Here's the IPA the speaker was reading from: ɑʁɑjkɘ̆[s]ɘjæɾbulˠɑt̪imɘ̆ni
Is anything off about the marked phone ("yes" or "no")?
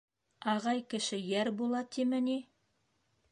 yes